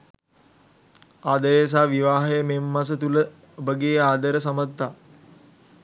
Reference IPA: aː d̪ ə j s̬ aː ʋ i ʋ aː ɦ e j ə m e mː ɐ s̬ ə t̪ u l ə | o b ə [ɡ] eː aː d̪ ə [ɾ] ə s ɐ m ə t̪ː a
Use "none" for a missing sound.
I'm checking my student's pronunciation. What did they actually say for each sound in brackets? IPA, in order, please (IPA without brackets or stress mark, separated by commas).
ɡ, ɾ